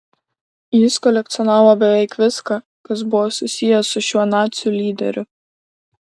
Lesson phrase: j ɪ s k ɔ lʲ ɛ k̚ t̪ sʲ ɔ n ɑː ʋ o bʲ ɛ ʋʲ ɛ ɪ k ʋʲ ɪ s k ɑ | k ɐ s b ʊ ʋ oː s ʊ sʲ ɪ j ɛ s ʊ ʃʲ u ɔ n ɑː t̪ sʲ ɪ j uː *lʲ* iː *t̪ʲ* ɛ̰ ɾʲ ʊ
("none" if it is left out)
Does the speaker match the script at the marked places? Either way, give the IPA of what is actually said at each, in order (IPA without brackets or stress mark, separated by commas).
lʲ, d̪ʲ